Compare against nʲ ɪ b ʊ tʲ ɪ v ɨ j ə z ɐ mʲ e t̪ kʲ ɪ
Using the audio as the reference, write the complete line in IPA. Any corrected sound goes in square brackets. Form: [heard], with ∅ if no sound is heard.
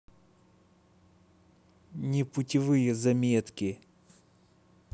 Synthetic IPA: nʲ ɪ [p] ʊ tʲ ɪ v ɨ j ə z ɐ mʲ e t̪ kʲ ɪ